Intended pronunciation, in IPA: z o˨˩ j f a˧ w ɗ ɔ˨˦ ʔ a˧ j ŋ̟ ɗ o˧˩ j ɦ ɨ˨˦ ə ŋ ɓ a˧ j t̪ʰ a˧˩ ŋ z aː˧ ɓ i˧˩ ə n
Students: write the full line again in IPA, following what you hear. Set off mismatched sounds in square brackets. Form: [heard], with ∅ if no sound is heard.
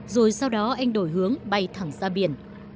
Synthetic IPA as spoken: z o˨˩ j [s] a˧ w ɗ ɔ˨˦ ʔ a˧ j ŋ̟ ɗ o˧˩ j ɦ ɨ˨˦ ə ŋ ɓ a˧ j t̪ʰ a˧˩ ŋ z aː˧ ɓ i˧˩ ə n